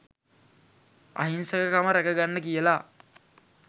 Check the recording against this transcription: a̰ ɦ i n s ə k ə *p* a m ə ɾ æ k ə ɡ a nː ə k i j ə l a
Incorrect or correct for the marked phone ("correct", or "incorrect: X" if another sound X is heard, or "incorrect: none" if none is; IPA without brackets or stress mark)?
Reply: incorrect: k